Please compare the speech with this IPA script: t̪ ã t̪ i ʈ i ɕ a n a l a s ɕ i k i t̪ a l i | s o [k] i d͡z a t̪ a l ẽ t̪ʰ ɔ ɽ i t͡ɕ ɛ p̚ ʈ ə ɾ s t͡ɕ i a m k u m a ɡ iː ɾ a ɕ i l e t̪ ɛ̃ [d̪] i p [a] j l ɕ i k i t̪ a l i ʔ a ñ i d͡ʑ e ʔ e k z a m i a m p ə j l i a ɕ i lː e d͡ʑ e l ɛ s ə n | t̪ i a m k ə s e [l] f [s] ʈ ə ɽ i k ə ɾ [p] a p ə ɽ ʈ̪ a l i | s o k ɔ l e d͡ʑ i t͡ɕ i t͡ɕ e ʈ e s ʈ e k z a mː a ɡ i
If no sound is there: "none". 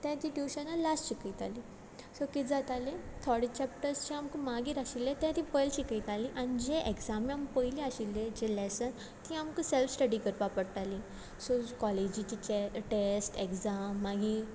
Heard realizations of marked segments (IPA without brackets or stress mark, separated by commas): k, t̪, ə, l, s, p